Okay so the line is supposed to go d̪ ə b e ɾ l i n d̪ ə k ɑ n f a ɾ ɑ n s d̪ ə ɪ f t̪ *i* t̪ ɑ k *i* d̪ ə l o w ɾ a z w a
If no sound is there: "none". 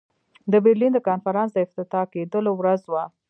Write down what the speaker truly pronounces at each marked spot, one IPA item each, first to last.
ɪ, e

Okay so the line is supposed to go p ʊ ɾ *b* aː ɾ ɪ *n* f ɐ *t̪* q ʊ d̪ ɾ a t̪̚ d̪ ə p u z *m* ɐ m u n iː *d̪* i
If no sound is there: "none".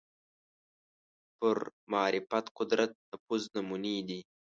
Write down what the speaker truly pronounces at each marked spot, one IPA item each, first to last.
m, none, t̪, n, d̪

